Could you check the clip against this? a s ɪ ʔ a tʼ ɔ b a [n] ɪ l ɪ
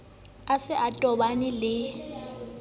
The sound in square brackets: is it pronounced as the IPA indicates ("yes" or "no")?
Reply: yes